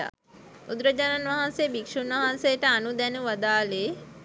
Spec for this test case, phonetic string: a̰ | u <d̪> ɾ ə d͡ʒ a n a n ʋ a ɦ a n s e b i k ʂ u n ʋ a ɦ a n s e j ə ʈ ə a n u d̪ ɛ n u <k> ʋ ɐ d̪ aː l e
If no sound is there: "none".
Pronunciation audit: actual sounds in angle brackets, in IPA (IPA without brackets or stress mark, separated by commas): d̪, none